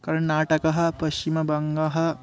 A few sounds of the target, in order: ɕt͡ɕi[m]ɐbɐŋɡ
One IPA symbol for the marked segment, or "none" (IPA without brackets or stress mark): m